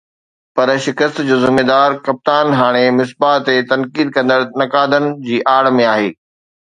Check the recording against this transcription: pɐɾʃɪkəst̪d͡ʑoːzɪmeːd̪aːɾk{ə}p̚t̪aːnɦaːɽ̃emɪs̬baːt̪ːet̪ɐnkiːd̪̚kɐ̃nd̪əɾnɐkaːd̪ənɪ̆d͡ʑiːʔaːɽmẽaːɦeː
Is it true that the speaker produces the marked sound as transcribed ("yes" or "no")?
no